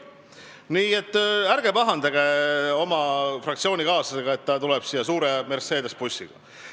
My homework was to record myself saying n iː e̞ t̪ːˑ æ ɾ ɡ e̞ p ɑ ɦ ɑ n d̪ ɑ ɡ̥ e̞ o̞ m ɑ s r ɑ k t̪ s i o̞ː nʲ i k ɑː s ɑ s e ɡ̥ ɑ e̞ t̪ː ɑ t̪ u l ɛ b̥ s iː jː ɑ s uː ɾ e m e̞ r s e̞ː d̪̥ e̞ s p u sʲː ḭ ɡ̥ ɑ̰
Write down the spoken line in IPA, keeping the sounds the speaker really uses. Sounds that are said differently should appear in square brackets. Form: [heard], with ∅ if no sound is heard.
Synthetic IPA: n iː e̞ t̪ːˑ æ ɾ ɡ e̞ p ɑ ɦ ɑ n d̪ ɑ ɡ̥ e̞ o̞ m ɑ [f] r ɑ k t̪ s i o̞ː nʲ i k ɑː s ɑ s e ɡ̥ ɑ e̞ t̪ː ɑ t̪ u l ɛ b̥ s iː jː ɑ s uː ɾ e m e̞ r s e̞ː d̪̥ e̞ s p u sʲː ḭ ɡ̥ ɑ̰